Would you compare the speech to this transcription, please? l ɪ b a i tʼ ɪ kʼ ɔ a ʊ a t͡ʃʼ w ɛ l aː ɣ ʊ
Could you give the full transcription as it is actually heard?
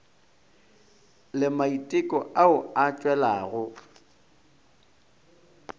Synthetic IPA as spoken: l ɪ m a i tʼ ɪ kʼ ɔ a ʊ a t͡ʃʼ w ɛ l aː ɣ ʊ

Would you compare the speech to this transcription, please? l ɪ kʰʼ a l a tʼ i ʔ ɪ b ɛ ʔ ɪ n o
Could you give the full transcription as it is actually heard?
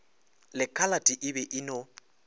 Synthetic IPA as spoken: l ɪ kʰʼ a l a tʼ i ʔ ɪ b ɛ ʔ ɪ n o

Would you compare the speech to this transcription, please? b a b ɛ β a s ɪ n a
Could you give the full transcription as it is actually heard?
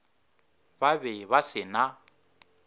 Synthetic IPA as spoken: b a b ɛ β a s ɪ n a

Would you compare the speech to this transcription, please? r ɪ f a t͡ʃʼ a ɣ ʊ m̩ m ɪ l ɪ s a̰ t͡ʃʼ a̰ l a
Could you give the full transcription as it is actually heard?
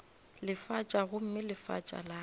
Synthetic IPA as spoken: l ɪ f a t͡ʃʼ a ɣ ʊ m̩ m ɪ l ɪ f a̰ t͡ʃʼ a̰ l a

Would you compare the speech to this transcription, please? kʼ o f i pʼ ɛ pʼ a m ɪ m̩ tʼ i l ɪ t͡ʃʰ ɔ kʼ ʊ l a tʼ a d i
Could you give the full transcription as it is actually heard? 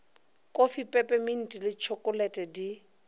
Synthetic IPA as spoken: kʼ o f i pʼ ɛ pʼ ɛ m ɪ n̩ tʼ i l ɪ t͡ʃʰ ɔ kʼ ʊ l ɛ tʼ ɛ d i

